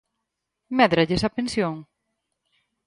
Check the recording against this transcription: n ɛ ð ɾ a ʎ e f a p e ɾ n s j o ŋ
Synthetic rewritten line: m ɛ ð ɾ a ʎ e s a p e n s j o ŋ